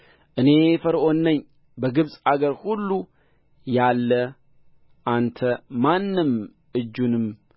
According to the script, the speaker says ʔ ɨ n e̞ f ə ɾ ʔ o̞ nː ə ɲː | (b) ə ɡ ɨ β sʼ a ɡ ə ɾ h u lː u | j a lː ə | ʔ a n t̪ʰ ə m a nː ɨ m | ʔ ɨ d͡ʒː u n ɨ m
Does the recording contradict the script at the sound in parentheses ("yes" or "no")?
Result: no